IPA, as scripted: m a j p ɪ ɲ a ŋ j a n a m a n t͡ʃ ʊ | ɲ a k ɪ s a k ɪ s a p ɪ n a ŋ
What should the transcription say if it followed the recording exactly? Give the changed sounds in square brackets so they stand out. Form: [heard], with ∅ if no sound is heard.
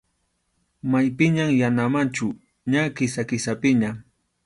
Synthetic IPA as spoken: m a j p ɪ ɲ a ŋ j a n a m a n t͡ʃ ʊ | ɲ a k ɪ s a k ɪ s a p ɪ [ɲ] a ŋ